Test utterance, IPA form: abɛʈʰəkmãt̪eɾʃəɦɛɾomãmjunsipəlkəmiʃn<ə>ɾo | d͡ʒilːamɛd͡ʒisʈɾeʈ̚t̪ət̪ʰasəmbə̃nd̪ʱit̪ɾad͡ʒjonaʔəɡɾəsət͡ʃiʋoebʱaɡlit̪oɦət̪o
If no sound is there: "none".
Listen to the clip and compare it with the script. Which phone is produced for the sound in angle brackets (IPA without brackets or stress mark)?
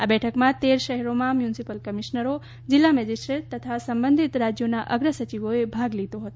ə